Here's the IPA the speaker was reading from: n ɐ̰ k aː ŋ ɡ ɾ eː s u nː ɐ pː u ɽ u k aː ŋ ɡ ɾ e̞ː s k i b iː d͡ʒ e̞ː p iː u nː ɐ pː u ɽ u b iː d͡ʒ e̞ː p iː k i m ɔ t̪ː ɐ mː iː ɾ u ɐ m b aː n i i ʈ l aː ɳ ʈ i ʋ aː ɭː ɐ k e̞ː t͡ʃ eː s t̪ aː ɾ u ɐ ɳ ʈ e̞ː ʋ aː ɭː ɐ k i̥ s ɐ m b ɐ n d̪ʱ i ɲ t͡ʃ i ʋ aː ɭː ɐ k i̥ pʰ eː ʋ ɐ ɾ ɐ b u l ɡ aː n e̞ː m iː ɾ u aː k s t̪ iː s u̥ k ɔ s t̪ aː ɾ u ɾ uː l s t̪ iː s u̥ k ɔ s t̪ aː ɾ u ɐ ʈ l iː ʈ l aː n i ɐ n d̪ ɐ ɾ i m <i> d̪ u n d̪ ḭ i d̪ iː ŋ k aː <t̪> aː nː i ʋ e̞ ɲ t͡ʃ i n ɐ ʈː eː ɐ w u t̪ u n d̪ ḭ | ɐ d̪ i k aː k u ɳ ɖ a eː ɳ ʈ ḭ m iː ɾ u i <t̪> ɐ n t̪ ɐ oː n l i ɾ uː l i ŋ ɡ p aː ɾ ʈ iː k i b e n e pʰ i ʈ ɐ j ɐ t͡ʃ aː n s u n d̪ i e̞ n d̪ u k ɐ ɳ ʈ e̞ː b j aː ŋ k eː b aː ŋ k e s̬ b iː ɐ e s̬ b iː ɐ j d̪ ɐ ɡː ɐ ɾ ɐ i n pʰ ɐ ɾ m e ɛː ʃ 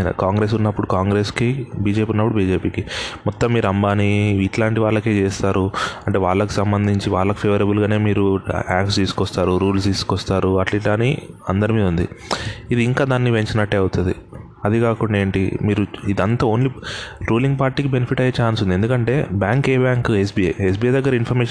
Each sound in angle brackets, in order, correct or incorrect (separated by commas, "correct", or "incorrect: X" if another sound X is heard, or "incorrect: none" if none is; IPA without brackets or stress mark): incorrect: iː, incorrect: d̪, incorrect: d̪